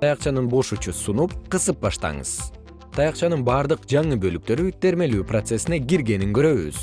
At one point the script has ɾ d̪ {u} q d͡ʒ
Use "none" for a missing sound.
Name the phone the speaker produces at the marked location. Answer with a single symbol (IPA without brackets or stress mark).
ɯ